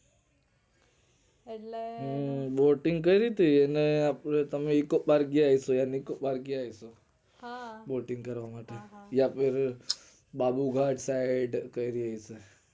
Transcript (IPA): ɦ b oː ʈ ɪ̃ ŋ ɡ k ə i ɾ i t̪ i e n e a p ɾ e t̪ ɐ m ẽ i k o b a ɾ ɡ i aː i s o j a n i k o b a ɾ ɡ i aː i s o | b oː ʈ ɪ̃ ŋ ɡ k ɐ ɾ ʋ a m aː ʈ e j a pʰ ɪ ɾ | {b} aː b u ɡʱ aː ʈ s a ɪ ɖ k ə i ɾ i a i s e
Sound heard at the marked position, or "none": b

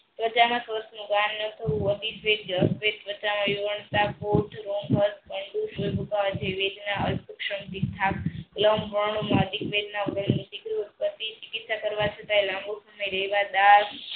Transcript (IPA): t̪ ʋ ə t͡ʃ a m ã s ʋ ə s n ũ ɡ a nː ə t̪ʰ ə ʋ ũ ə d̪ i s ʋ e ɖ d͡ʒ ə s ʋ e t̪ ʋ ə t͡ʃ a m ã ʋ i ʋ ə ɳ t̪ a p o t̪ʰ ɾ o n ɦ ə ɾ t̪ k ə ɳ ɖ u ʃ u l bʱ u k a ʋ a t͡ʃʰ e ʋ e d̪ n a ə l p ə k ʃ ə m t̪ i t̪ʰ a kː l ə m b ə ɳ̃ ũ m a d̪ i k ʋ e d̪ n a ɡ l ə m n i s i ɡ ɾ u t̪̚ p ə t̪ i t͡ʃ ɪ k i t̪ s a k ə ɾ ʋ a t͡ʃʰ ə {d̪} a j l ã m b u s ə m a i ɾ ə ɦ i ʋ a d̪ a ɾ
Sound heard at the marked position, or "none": t̪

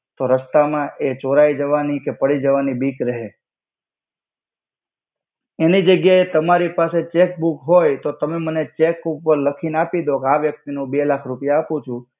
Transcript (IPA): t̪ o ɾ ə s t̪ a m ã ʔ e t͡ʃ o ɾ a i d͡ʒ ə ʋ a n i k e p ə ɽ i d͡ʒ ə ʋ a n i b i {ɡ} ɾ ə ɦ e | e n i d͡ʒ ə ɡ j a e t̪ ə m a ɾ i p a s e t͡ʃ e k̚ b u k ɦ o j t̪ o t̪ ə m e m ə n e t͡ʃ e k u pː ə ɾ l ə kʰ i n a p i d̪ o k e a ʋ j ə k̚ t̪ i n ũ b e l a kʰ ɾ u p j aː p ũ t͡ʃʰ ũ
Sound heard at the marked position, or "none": k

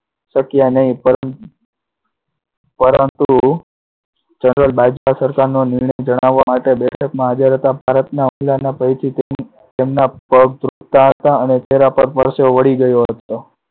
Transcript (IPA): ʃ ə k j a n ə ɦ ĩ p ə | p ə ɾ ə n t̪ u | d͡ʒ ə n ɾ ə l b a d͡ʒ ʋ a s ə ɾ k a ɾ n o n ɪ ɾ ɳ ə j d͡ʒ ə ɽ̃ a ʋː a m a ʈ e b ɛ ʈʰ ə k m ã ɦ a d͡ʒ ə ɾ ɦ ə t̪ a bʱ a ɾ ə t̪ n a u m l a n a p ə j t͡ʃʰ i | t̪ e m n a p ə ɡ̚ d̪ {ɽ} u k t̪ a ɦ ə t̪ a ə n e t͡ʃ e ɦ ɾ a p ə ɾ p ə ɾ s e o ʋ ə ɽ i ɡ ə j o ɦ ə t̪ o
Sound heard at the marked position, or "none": ɾ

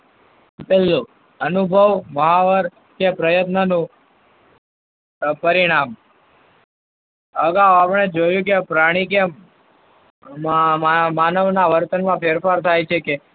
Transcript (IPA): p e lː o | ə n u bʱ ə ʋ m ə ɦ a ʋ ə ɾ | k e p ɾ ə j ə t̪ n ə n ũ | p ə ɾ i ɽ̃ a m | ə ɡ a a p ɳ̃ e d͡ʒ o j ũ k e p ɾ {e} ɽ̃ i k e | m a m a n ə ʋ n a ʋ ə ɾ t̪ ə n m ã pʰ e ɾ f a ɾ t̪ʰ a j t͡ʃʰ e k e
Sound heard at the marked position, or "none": a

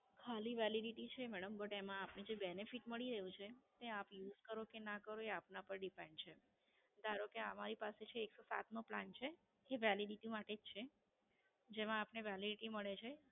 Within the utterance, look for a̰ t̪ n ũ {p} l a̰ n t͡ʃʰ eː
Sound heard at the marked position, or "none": p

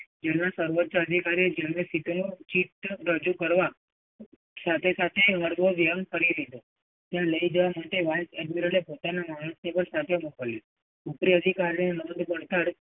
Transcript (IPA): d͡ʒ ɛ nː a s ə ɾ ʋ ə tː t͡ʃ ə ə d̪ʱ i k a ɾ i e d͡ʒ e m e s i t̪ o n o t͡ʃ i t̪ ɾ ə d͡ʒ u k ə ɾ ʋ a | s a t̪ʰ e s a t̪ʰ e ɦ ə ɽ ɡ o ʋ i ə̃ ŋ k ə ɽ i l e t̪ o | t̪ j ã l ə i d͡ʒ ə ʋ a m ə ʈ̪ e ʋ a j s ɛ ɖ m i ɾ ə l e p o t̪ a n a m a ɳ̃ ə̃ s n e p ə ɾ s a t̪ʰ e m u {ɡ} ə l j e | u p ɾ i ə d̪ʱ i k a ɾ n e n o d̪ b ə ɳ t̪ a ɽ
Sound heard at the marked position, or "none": k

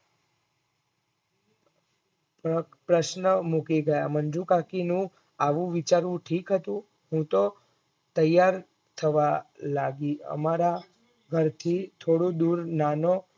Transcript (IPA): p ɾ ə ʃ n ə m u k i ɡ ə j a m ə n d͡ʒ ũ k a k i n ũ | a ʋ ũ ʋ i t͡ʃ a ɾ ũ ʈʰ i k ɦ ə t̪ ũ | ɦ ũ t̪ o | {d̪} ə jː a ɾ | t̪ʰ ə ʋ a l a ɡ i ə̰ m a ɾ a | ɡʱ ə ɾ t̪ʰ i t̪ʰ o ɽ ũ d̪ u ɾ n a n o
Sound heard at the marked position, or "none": t̪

